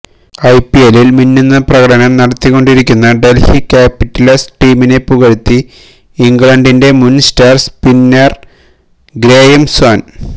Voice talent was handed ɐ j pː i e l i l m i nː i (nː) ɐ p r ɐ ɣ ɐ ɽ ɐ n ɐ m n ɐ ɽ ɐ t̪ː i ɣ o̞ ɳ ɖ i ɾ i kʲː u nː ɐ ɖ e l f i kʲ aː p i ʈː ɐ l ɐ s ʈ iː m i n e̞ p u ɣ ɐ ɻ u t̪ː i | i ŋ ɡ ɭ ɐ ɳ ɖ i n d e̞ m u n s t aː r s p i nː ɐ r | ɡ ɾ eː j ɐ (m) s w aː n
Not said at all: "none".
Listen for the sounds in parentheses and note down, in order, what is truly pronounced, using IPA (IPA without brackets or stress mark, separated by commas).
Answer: nː, m